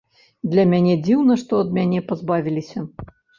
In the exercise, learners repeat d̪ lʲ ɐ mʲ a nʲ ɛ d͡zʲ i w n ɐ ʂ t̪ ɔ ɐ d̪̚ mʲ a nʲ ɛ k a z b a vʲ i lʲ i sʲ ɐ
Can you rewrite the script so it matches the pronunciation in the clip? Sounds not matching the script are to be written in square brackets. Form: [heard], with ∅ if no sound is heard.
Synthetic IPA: d̪ lʲ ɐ mʲ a nʲ ɛ d͡zʲ i w n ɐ ʂ t̪ ɔ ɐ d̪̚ mʲ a nʲ ɛ [p] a z b a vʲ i lʲ i sʲ ɐ

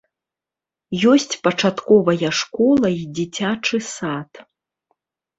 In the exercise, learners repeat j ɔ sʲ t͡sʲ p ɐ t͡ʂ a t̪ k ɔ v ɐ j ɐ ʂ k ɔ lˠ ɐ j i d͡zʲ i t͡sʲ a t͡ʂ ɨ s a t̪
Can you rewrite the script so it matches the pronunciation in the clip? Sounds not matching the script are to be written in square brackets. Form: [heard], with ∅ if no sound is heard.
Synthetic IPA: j ɔ sʲ t͡sʲ p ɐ t͡ʂ a t̪ k ɔ v ɐ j ɐ ʂ k ɔ lˠ ɐ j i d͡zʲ i t͡sʲ a t͡ʂ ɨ s a t̪

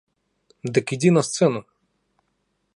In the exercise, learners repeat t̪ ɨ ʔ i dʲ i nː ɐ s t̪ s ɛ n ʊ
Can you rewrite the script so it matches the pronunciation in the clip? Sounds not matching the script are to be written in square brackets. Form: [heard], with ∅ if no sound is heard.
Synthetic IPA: [d̪] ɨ [k] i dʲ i [n] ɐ s t̪ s ɛ n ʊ

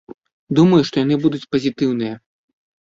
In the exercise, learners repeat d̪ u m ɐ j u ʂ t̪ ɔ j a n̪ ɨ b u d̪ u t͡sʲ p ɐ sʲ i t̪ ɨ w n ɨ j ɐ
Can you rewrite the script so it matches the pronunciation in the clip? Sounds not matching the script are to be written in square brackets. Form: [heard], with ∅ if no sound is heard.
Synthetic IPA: d̪ u m ɐ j u ʂ t̪ ɔ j a n̪ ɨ b u d̪ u t͡sʲ p ɐ [zʲ] i t̪ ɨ w n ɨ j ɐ

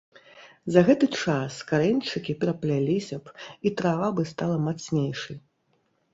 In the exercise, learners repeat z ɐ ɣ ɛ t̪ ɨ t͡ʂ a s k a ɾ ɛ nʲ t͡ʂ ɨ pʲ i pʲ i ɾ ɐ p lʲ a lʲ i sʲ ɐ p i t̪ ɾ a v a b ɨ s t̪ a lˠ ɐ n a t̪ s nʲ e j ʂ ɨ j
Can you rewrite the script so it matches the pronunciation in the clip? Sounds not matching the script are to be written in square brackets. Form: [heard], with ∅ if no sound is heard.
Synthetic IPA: z ɐ ɣ ɛ t̪ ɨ t͡ʂ a s k a ɾ ɛ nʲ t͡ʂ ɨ [kʲ] i pʲ [ɛ] ɾ ɐ p lʲ a lʲ i sʲ ɐ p i t̪ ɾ a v a b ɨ s t̪ a lˠ ɐ [m] a t̪ s nʲ e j ʂ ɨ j

